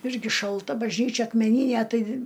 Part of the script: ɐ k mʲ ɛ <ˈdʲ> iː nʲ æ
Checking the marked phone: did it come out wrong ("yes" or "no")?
yes